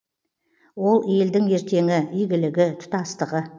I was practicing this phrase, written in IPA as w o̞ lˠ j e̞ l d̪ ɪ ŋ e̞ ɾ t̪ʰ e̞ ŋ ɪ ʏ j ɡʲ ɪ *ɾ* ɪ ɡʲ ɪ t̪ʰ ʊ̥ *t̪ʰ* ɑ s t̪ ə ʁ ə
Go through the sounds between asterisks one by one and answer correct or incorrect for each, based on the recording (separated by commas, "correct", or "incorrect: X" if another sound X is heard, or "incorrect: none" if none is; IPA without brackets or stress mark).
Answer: incorrect: l, incorrect: t̪